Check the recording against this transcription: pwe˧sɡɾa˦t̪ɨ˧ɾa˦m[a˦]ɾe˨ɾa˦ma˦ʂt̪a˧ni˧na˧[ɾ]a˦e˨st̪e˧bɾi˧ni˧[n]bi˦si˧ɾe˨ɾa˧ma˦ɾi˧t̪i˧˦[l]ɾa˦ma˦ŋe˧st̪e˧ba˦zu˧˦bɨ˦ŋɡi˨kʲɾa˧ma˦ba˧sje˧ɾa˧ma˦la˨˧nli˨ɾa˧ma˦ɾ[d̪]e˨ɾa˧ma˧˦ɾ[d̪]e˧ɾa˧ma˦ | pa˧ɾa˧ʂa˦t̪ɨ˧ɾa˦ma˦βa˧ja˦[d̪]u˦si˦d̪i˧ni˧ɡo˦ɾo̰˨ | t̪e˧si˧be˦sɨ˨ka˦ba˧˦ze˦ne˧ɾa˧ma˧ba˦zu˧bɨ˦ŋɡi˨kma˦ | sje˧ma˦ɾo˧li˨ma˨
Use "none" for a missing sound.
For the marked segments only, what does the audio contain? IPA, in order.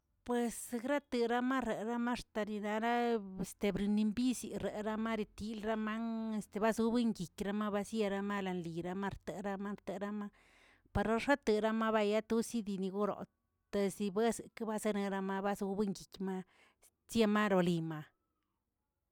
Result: a˦, ɾ, m, l, t̪, t̪, t̪

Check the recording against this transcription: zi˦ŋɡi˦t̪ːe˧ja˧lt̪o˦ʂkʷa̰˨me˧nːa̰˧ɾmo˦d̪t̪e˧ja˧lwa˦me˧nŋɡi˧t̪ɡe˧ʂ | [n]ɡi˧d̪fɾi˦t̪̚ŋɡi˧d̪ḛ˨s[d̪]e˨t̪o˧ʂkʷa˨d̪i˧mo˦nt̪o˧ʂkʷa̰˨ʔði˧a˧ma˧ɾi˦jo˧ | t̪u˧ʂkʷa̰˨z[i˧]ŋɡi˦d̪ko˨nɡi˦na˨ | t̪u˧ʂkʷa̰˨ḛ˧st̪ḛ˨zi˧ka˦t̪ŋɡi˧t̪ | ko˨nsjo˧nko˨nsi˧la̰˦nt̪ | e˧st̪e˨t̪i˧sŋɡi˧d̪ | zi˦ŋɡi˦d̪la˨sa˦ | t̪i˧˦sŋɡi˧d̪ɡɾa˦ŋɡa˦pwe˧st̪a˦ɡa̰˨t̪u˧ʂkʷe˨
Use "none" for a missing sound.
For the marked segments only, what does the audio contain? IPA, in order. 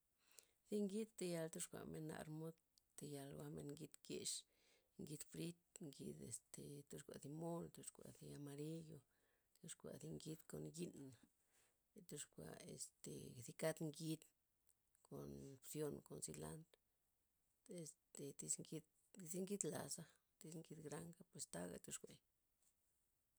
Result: ŋ, t̪, i˧

